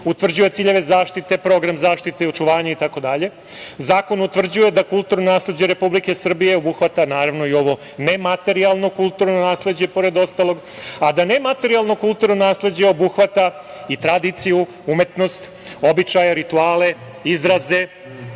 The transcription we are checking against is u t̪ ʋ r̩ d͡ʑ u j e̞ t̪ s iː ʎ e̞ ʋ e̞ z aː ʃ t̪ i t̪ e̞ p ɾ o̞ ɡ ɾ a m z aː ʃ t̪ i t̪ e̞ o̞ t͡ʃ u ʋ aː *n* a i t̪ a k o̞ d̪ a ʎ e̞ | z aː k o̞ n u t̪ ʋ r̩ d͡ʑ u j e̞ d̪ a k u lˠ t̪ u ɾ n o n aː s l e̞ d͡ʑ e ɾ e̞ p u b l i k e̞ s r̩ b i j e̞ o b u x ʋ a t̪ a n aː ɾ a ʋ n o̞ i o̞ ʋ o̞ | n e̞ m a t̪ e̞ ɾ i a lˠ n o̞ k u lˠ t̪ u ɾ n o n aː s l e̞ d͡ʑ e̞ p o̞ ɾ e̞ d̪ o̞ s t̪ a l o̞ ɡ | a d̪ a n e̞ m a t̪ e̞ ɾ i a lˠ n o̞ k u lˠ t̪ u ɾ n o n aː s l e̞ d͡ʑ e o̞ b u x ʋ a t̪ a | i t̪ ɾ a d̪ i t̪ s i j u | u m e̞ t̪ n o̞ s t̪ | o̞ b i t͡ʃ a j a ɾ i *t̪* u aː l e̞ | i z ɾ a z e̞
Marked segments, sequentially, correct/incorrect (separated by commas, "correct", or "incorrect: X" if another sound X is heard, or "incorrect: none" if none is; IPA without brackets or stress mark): incorrect: ɲ, correct